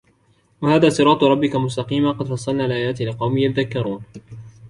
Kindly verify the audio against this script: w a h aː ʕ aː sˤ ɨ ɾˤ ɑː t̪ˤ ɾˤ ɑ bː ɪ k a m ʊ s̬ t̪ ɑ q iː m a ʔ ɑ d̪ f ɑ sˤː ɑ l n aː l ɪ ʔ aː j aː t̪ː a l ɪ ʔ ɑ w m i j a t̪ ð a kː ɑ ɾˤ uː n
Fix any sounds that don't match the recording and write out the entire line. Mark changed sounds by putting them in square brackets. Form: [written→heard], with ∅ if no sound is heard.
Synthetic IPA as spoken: w a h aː [ʕ→ð] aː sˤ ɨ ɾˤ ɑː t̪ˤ ɾˤ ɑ bː ɪ k a m ʊ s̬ t̪ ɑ q iː m a [ʔ→q] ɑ d̪ f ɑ sˤː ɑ l n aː l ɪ ʔ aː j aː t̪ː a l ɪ [ʔ→q] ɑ w m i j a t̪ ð a kː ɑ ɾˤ uː n